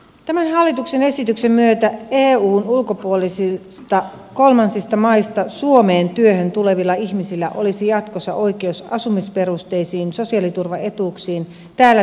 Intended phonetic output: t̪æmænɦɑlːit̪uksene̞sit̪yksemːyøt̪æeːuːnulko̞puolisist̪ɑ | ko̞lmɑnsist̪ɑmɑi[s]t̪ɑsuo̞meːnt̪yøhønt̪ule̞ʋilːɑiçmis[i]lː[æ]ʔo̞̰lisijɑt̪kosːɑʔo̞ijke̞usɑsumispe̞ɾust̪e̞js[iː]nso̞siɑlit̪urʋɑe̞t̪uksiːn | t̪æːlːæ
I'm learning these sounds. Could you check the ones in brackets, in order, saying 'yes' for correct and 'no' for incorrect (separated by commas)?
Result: yes, yes, yes, yes